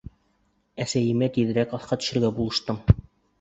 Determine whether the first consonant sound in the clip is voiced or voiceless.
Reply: voiceless